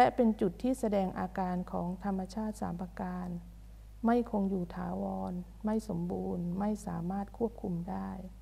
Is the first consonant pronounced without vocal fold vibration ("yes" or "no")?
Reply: no